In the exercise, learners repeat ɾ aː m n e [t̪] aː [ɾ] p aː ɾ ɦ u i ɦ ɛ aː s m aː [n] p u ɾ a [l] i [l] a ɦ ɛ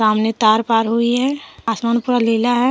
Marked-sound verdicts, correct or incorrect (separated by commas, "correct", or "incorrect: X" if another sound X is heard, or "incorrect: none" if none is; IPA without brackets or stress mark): correct, correct, correct, correct, correct